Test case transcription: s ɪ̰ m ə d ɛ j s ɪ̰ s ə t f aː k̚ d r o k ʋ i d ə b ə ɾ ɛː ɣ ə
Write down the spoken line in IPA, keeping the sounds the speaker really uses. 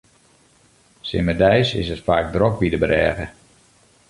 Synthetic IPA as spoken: s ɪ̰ m ə d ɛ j s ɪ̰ s ə t f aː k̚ d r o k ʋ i d ə b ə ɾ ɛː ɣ ə